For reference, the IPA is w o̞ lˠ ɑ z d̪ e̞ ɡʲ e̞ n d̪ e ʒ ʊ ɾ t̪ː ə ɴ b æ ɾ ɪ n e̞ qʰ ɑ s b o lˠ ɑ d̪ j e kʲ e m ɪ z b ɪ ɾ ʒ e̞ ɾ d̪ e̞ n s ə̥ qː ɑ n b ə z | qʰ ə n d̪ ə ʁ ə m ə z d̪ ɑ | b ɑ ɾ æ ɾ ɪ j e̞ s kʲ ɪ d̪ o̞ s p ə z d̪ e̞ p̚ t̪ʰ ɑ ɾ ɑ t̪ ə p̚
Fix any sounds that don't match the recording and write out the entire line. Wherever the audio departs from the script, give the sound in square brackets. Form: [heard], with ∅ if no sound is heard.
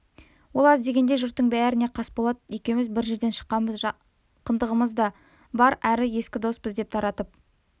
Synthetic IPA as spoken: w o̞ lˠ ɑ z d̪ e̞ ɡʲ e̞ n d̪ e ʒ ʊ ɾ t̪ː ə ɴ b æ ɾ ɪ n e̞ qʰ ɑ s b o lˠ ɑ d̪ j e kʲ e m ɪ z b ɪ ɾ ʒ e̞ ɾ d̪ e̞ n [ʃ] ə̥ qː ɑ n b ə z | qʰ ə n d̪ ə ʁ ə m ə z d̪ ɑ | b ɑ ɾ æ ɾ ɪ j e̞ s kʲ ɪ d̪ o̞ s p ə z d̪ e̞ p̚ t̪ʰ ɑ ɾ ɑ t̪ ə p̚